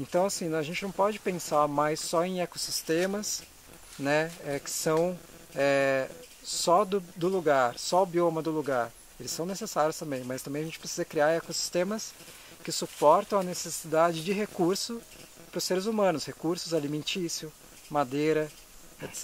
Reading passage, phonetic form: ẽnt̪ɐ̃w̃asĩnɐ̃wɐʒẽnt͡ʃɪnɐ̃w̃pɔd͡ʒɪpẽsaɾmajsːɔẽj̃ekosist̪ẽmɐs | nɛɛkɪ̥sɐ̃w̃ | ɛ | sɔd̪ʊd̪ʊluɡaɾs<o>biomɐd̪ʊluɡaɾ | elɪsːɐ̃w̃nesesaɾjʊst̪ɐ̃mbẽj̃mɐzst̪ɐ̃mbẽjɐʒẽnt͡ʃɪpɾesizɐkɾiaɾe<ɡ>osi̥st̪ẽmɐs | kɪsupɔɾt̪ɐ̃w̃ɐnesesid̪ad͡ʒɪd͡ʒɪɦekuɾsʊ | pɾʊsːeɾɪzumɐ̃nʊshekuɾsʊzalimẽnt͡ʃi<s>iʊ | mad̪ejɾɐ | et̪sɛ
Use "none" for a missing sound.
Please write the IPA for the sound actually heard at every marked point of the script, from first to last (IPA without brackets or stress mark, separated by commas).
ɔ, k, s